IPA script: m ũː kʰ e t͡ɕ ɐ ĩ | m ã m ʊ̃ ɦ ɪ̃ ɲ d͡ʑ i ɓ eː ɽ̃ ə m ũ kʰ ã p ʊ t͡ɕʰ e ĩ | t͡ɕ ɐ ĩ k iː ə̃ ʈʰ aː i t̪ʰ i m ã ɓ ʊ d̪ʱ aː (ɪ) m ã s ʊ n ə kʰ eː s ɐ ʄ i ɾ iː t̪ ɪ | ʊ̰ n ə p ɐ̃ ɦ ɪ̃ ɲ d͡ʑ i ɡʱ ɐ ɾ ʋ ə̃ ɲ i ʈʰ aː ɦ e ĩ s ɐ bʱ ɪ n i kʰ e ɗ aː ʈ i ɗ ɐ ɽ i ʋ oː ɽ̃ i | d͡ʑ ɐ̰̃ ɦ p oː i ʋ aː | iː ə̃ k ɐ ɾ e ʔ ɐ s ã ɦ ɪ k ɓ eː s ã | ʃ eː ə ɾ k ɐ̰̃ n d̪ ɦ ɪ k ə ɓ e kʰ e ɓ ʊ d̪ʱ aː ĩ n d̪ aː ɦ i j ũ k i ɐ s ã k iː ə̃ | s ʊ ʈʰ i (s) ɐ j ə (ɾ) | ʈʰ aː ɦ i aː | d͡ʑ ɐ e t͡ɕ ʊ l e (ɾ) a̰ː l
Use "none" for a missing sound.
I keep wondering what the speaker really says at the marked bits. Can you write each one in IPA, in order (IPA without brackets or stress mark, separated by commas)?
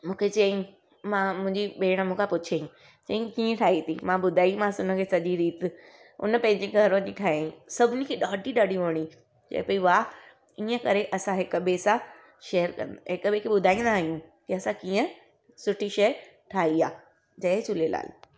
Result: i, ʃ, ɾ, l